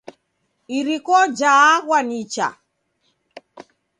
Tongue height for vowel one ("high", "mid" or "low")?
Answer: high